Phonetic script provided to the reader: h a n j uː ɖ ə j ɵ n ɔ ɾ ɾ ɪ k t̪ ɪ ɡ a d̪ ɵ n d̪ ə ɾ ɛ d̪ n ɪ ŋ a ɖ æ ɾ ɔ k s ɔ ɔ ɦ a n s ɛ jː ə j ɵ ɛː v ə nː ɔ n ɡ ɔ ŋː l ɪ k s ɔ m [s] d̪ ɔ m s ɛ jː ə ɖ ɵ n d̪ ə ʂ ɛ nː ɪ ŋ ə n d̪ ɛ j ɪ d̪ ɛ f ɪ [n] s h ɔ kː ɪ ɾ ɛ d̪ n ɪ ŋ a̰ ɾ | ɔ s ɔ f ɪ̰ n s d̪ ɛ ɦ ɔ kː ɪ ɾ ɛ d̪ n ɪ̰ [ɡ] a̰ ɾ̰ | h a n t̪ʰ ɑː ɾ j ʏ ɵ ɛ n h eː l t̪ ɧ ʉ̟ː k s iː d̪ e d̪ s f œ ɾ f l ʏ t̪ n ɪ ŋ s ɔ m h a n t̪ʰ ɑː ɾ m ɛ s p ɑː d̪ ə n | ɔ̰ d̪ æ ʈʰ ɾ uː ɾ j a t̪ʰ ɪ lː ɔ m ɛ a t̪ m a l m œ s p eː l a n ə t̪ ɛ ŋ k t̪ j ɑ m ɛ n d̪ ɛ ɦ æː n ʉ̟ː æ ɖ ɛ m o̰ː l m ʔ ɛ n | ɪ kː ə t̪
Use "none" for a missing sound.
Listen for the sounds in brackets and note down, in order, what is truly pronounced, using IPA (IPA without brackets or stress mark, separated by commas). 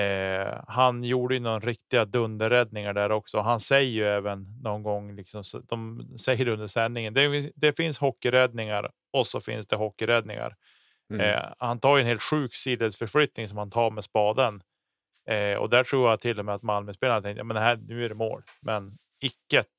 s, n, ŋ